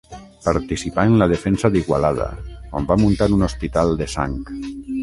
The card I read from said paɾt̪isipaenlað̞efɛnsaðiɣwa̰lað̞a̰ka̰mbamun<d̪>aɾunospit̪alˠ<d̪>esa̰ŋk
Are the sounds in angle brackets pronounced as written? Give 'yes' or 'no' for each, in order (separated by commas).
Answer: no, yes